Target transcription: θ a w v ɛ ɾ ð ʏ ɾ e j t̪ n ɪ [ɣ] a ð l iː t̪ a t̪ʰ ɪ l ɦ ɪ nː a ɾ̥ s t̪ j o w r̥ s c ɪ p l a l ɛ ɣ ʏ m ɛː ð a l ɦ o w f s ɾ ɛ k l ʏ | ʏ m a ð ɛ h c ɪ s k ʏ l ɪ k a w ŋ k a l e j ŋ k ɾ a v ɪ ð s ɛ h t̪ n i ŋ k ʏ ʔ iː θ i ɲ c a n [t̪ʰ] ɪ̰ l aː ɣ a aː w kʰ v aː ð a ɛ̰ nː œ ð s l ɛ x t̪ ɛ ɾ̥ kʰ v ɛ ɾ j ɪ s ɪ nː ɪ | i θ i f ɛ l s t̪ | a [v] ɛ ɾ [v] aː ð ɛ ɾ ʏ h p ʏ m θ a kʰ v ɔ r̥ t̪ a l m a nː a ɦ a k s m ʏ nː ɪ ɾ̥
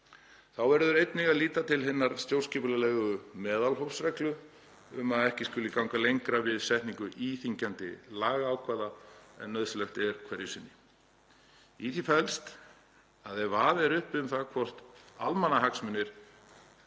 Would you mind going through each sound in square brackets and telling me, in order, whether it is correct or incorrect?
correct, incorrect, incorrect, correct

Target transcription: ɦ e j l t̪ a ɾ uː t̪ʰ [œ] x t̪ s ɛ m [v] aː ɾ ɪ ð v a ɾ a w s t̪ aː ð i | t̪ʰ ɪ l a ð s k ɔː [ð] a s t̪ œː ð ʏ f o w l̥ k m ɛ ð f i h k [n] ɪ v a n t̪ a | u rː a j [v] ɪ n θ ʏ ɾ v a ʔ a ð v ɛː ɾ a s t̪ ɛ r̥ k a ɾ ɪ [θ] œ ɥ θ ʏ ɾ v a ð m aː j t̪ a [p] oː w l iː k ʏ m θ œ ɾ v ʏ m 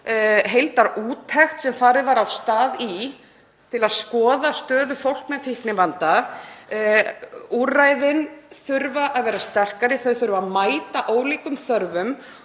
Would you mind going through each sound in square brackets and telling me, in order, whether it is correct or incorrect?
incorrect, incorrect, correct, correct, incorrect, correct, incorrect

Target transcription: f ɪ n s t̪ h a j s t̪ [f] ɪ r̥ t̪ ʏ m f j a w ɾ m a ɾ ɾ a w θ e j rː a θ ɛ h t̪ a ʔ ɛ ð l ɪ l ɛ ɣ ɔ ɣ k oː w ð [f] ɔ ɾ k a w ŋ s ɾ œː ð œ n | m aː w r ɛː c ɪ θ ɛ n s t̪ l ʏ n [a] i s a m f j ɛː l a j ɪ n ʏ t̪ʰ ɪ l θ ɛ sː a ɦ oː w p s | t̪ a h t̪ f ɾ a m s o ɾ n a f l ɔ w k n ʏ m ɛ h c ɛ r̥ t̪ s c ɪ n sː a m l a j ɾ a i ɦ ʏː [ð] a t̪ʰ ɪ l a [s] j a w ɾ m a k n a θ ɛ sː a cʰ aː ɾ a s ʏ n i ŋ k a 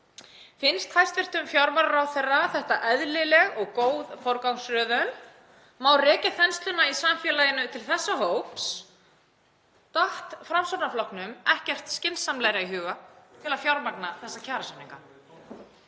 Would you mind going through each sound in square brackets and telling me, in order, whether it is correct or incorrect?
incorrect, correct, correct, incorrect, incorrect

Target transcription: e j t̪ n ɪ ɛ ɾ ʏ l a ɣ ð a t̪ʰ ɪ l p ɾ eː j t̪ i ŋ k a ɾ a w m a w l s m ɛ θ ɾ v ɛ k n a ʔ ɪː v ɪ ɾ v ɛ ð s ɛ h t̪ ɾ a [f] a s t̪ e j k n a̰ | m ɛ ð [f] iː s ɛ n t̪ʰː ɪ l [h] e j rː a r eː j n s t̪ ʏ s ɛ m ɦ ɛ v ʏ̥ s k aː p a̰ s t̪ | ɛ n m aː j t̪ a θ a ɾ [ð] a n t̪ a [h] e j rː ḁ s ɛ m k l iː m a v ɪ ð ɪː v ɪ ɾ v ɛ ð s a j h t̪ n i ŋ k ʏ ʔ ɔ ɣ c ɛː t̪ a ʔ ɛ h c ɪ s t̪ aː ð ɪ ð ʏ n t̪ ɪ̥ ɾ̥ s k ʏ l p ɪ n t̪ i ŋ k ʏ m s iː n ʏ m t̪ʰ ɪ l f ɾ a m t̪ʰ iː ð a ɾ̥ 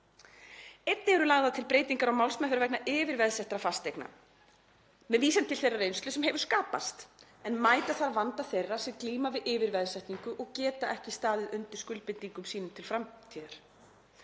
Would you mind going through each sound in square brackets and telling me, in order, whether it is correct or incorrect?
correct, incorrect, incorrect, incorrect, incorrect

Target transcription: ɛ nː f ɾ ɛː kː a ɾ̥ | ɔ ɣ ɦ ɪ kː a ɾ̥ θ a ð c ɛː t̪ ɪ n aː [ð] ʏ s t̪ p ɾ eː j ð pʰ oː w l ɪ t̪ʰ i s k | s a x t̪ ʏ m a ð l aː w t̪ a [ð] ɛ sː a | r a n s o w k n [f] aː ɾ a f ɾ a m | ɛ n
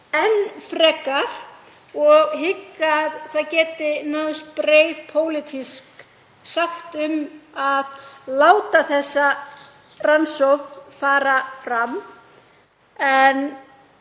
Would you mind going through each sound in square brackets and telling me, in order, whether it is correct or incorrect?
correct, incorrect, correct

